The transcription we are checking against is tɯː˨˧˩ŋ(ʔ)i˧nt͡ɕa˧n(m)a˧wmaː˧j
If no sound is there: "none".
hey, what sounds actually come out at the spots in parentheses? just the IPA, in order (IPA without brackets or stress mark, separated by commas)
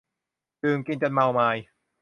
k, m